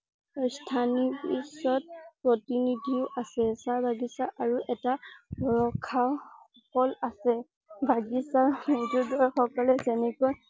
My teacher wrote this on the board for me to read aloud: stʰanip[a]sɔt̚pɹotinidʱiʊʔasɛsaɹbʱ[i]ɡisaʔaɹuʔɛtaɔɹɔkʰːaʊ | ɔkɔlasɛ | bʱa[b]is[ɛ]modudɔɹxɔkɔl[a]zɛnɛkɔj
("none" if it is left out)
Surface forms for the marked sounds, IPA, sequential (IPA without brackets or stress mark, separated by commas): i, a, ɡ, a, ɛ